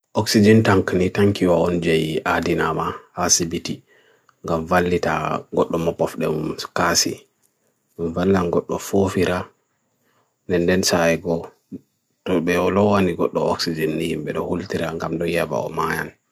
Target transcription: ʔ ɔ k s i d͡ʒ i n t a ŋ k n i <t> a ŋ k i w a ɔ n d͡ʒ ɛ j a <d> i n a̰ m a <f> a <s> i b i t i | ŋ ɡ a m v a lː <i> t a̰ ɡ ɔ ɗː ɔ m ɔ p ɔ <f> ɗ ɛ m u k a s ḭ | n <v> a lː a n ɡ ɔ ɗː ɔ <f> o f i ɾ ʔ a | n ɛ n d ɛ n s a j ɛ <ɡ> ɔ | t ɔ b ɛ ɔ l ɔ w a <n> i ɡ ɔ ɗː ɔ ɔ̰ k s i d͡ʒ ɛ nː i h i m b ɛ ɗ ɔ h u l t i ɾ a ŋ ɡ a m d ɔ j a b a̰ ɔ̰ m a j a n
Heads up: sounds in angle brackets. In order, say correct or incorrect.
correct, correct, incorrect, correct, correct, correct, correct, correct, correct, correct

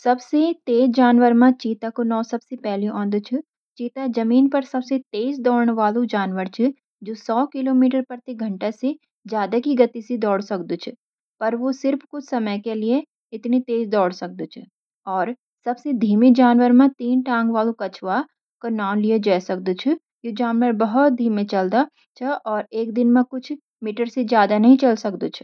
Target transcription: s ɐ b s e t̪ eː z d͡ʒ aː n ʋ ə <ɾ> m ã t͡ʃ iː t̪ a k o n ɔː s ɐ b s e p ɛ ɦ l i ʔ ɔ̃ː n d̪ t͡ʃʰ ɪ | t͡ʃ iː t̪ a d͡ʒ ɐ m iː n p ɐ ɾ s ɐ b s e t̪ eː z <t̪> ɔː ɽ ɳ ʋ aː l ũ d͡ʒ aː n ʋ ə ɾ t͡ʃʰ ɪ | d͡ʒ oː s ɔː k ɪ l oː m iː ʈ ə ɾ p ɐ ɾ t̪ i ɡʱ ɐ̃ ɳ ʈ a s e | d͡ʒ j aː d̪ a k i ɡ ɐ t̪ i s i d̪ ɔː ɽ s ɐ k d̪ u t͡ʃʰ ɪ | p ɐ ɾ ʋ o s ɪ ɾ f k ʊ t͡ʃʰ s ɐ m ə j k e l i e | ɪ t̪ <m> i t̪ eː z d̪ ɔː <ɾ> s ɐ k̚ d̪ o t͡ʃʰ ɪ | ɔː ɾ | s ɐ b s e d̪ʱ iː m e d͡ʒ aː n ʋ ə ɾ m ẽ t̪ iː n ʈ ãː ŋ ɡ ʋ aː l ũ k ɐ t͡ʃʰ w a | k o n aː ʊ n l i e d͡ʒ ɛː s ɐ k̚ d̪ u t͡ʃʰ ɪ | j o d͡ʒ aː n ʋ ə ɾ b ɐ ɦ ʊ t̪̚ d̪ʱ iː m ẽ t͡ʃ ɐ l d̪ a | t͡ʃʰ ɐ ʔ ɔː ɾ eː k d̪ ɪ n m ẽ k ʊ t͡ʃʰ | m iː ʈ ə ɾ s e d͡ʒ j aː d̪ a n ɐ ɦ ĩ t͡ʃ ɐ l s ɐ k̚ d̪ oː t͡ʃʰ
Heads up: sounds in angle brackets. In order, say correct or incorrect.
correct, incorrect, incorrect, incorrect

